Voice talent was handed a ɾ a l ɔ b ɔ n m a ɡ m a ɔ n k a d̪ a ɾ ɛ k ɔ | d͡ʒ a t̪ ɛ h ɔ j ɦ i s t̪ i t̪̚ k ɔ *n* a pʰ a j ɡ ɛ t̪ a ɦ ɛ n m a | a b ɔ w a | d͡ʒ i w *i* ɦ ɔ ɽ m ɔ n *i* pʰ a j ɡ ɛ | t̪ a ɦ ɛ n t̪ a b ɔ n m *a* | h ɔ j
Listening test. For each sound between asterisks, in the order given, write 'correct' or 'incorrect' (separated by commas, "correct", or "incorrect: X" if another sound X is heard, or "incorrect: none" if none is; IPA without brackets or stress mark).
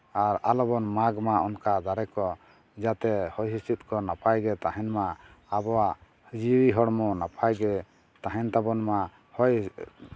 correct, correct, incorrect: a, correct